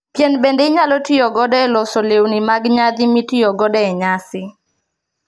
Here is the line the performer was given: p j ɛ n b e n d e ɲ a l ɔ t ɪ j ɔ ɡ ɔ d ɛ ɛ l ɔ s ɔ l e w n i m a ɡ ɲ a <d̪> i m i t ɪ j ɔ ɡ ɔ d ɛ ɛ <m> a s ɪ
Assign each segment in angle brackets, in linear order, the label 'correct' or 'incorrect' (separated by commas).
correct, incorrect